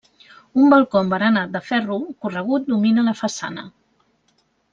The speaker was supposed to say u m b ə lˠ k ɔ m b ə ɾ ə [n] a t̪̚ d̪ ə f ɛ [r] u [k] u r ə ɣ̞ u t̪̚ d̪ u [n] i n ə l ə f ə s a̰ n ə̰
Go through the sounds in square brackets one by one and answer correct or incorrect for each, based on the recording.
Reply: correct, correct, correct, incorrect: m

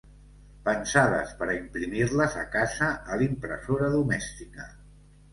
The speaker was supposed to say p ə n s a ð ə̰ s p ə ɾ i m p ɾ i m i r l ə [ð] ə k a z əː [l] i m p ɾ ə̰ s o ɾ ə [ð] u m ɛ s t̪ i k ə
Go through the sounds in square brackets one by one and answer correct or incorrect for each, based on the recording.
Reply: incorrect: z, correct, correct

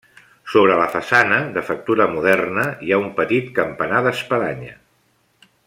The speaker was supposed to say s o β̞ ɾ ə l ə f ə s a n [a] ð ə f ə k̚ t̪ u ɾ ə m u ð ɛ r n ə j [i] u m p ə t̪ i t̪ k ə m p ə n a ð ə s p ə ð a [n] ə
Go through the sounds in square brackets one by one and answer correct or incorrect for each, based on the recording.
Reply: incorrect: ə, incorrect: a, incorrect: ɲ

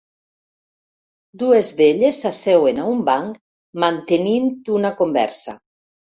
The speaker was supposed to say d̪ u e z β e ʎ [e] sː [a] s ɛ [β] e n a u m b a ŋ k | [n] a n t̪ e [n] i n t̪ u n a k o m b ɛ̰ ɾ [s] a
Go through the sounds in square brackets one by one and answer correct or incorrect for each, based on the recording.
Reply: correct, correct, incorrect: w, incorrect: m, correct, correct

